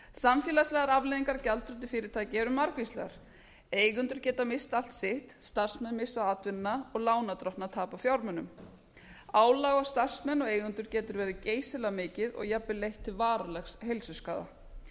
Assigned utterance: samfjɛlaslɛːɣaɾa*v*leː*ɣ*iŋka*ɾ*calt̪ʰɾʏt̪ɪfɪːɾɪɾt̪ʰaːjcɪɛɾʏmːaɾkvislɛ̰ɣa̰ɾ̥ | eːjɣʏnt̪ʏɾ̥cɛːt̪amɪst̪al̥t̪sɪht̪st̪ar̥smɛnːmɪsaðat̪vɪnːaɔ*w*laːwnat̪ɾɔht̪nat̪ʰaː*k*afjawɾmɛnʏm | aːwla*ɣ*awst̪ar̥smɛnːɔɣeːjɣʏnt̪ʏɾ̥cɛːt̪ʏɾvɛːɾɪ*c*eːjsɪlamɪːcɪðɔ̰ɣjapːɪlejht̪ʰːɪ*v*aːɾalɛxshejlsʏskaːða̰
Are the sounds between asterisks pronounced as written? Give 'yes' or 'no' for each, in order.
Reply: yes, no, yes, no, no, yes, yes, yes

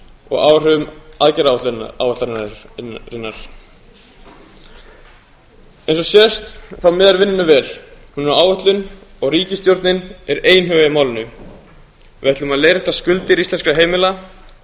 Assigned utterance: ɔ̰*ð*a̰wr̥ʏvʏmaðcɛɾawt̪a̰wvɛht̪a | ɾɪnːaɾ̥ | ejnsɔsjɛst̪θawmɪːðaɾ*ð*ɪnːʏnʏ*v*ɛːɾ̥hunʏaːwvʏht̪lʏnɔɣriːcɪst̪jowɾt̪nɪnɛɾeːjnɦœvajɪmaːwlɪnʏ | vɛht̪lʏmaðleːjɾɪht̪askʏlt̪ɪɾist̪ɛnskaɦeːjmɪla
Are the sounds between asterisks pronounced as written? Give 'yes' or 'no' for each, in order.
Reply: no, no, yes

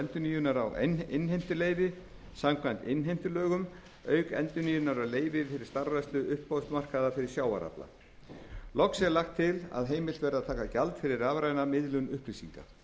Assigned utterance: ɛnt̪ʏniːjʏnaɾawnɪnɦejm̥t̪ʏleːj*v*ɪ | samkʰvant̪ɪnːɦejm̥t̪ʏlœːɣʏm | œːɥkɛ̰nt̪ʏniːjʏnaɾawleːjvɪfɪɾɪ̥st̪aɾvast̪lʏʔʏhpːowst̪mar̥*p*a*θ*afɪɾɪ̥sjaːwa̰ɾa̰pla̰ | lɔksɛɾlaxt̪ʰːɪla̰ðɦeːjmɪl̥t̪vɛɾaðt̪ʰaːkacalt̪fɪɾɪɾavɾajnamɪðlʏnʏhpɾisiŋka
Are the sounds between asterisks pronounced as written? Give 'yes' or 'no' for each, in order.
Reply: yes, no, no

